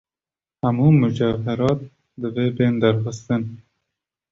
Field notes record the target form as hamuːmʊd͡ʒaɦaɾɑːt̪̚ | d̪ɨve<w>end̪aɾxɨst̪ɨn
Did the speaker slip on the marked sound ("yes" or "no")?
yes